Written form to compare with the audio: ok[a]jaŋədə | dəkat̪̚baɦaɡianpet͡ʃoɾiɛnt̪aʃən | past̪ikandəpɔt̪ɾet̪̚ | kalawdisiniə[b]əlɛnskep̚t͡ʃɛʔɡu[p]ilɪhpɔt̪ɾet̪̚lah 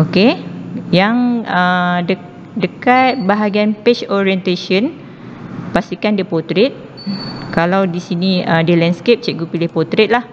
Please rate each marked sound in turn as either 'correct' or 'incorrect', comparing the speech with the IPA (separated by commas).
incorrect, incorrect, correct